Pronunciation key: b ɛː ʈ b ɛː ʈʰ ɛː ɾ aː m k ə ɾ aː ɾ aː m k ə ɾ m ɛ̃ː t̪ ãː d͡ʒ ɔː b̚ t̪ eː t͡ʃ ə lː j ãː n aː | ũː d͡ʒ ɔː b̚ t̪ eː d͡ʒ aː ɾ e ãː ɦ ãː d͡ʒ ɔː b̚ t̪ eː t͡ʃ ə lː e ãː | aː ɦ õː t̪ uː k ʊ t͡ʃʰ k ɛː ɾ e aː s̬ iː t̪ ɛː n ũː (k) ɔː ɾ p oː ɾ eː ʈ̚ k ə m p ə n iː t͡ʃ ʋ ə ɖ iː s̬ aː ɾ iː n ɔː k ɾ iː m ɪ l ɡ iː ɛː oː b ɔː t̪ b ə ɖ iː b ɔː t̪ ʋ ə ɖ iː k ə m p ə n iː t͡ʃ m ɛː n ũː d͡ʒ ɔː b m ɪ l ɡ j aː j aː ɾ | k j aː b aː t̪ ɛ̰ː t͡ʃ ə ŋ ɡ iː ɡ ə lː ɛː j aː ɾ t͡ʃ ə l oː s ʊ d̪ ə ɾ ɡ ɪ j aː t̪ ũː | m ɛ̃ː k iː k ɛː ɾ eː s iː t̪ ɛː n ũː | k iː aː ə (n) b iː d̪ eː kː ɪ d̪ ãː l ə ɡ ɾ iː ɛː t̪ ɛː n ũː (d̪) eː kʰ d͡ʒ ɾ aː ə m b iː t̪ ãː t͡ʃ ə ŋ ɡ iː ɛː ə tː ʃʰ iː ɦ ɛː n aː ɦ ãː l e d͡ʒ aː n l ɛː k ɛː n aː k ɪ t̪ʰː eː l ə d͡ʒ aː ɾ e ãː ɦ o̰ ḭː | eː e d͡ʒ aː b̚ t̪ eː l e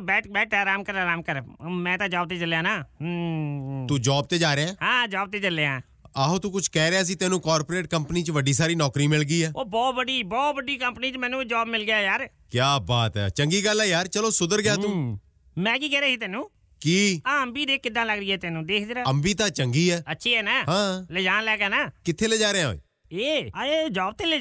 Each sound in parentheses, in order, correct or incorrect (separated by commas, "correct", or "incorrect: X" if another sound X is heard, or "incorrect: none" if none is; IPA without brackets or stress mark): correct, incorrect: m, correct